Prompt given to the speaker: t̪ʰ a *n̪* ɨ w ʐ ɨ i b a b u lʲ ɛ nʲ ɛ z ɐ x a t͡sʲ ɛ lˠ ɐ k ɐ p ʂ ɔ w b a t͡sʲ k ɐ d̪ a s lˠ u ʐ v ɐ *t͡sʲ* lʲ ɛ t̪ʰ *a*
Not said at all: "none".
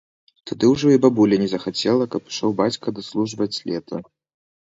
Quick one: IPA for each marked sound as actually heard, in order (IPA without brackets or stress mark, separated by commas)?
d̪, t͡sʲ, ɐ